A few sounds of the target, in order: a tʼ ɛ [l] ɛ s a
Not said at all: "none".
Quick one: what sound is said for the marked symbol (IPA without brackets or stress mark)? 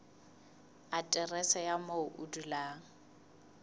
r